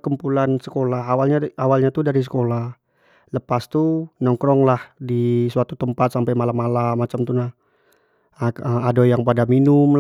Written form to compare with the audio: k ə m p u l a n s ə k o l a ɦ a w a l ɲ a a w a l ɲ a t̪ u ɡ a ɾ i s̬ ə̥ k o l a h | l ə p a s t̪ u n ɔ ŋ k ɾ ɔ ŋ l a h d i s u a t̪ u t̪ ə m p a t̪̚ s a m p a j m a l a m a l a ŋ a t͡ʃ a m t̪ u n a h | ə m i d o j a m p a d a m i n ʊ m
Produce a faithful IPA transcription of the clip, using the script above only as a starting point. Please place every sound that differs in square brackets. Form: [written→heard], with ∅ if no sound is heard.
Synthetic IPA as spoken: k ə m p u l a n s ə k o l a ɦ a w a l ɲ a a w a l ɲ a t̪ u [ɡ→d] a ɾ i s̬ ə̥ k o l a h | l ə p a s t̪ u n ɔ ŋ k ɾ ɔ ŋ l a h d i s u a t̪ u t̪ ə m p a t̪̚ s a m p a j m a l a m a l a [ŋ→m] a t͡ʃ a m t̪ u n a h | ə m [i→a] d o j a [m→ŋ] p a d a m i n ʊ m